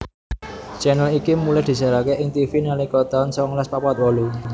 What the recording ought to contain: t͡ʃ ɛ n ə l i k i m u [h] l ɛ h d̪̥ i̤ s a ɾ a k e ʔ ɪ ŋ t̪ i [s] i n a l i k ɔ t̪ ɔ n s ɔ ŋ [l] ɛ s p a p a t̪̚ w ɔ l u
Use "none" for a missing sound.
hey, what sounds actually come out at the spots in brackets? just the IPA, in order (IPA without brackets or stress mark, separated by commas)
none, f, l